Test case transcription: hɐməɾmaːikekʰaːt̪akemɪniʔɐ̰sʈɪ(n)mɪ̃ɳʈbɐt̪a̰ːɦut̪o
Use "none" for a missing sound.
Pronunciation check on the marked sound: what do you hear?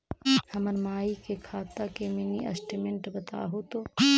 none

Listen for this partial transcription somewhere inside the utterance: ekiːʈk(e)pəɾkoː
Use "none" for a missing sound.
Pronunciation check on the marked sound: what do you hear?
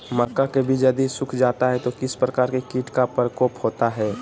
a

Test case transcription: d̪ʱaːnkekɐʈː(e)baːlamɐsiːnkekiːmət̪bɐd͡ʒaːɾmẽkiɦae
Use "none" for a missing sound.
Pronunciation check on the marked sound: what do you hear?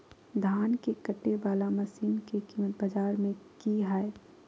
e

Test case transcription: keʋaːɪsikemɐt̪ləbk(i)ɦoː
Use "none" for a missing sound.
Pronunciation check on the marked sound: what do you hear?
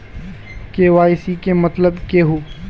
e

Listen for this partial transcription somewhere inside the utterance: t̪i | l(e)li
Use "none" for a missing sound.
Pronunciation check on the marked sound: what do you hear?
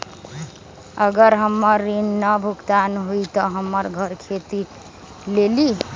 e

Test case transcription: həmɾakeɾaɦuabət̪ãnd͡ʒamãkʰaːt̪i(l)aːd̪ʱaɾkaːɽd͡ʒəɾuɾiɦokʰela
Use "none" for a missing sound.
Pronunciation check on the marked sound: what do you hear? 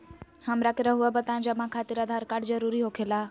ɾ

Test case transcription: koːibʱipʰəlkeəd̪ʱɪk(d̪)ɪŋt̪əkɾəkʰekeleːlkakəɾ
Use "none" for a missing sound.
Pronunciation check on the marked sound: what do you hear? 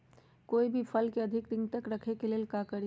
d̪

